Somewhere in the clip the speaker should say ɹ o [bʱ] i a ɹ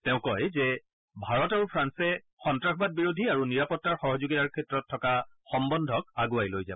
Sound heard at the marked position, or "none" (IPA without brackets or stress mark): dʱ